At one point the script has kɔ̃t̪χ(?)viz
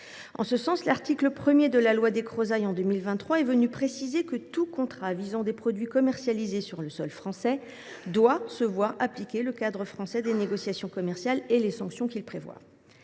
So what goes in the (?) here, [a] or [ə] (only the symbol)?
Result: a